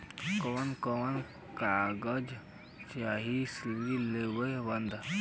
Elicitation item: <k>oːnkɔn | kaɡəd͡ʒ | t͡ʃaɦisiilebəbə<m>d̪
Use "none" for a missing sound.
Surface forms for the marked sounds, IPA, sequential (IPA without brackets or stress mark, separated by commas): k, n